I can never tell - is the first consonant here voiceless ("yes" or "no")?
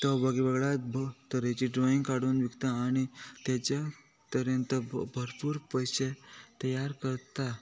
yes